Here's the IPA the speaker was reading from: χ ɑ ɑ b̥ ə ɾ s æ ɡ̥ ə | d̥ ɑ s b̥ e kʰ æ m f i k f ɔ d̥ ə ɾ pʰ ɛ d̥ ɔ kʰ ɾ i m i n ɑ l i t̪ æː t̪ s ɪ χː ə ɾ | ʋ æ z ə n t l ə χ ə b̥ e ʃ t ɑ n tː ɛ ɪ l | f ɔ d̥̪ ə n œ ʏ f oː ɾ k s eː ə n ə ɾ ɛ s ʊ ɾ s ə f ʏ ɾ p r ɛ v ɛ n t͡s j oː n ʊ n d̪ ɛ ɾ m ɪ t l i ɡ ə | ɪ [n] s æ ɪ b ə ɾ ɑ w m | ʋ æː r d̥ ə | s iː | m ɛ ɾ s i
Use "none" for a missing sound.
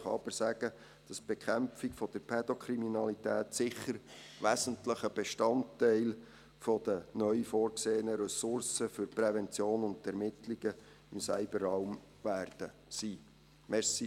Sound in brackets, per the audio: m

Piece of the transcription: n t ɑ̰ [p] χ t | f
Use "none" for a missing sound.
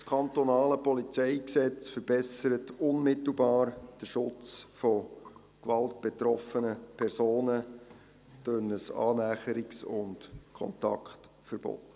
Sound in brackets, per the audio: k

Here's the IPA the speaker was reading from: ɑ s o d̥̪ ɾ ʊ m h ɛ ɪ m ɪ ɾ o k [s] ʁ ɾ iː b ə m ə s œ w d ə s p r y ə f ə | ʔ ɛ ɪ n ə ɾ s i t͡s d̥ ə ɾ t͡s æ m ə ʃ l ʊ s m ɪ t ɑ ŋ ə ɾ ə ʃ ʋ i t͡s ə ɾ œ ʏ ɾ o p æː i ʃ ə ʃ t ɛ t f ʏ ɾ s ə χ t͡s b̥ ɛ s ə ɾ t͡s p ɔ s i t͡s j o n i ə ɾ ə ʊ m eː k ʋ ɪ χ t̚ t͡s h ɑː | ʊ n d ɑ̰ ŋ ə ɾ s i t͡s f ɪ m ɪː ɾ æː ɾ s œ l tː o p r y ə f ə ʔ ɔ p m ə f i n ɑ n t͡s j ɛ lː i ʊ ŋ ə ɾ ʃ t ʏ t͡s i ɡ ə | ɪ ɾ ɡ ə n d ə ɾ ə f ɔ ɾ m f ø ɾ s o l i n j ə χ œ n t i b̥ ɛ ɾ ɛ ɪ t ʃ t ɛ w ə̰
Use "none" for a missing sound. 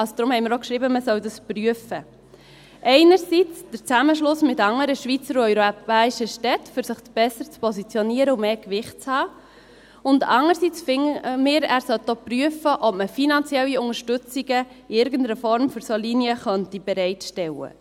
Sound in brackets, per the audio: ʃ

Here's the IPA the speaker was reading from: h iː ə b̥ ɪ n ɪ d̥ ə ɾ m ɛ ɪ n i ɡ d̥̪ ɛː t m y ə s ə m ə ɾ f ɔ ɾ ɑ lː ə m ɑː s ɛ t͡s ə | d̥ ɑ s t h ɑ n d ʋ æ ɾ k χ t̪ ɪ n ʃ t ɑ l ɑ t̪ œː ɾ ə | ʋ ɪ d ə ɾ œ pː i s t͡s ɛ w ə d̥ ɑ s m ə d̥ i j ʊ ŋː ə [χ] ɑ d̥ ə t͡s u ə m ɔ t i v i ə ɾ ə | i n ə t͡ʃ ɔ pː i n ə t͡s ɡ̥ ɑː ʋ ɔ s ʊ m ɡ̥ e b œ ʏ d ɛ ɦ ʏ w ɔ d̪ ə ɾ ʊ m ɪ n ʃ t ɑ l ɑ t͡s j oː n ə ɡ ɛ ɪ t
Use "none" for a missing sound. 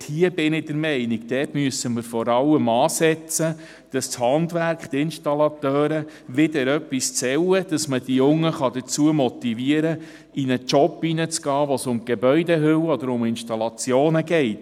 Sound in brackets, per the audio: χ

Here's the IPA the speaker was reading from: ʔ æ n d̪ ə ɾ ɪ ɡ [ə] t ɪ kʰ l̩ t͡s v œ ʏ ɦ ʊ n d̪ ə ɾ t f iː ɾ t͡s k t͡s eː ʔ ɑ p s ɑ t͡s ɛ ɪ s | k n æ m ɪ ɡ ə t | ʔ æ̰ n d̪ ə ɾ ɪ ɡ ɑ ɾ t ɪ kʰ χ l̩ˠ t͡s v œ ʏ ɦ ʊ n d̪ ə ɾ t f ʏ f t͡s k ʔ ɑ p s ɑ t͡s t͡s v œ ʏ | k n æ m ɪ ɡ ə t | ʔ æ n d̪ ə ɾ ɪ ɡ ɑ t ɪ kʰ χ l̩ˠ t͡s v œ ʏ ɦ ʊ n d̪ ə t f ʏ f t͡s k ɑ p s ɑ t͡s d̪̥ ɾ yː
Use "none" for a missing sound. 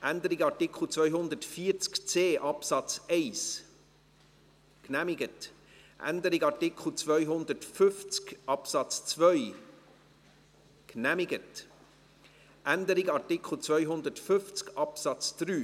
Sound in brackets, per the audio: ɑ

